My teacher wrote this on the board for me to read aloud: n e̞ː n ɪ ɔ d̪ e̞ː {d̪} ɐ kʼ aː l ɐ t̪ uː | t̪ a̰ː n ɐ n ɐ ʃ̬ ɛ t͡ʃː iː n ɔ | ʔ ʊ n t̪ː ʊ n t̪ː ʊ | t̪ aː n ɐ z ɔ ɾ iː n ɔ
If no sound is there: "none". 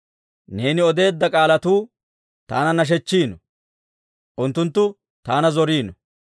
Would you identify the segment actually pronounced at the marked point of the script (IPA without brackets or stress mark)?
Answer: d̪ː